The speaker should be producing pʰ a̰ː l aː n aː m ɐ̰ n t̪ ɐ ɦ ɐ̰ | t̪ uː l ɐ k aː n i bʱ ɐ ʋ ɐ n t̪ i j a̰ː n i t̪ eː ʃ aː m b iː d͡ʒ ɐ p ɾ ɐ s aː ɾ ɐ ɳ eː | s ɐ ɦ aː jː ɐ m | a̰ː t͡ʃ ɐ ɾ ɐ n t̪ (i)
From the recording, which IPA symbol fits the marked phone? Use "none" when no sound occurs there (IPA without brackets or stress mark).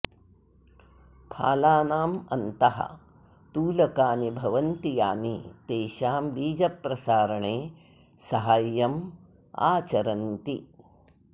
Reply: i